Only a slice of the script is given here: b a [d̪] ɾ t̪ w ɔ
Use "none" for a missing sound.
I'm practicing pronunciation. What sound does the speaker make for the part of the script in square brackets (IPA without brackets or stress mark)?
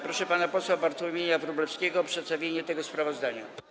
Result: none